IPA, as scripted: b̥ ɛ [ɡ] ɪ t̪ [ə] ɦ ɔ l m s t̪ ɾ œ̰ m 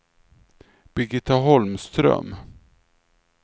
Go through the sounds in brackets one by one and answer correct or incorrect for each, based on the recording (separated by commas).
correct, incorrect